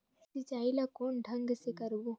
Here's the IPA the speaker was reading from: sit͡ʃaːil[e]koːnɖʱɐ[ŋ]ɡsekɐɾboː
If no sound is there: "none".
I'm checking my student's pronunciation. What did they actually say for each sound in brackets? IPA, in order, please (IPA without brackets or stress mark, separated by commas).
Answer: a, ŋ